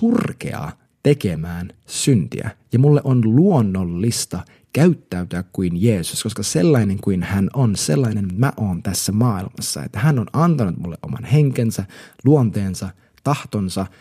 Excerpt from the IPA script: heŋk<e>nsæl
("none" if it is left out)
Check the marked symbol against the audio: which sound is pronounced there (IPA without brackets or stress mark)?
e